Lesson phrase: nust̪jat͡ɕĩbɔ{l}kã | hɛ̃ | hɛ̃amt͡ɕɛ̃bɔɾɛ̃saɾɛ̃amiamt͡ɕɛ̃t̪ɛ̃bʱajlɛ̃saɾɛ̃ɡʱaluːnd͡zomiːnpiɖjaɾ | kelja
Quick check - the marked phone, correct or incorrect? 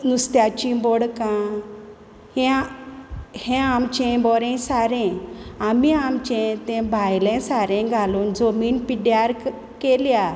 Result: incorrect